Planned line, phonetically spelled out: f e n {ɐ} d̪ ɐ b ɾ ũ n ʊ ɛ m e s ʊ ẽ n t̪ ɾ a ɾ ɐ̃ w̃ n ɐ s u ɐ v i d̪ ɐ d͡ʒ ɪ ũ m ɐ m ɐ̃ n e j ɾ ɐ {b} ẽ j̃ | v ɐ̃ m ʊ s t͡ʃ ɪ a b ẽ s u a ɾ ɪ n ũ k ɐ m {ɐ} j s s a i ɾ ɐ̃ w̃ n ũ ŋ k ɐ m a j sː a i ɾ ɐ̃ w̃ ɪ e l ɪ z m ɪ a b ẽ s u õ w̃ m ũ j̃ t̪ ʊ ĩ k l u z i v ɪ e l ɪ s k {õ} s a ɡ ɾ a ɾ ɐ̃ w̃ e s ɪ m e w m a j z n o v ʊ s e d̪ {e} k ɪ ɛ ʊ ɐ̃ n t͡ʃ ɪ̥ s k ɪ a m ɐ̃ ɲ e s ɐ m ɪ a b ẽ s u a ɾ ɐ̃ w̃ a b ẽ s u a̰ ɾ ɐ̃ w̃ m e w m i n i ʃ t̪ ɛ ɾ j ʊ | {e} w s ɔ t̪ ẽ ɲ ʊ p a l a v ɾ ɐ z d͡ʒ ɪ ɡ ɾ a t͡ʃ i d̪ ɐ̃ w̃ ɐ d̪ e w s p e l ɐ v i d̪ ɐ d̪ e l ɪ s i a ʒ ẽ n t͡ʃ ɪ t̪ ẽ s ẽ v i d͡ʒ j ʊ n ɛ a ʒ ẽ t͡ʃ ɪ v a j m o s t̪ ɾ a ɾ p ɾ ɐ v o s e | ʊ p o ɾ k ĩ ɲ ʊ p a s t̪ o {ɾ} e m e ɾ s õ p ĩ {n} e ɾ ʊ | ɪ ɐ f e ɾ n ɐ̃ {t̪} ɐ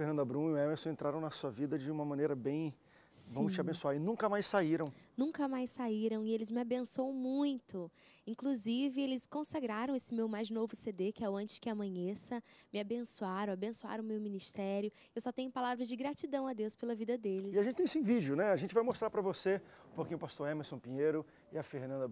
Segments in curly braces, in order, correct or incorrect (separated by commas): incorrect, correct, incorrect, correct, correct, correct, correct, incorrect, incorrect